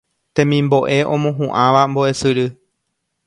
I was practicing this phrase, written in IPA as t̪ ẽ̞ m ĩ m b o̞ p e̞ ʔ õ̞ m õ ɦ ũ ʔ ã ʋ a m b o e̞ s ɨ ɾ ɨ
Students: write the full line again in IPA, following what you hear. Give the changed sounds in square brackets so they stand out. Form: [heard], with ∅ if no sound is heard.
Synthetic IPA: t̪ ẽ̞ m ĩ m b o̞ [ʔ] e̞ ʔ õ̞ m õ ɦ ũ ʔ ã ʋ a m b o e̞ s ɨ ɾ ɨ